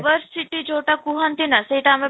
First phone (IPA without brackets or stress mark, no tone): ʋ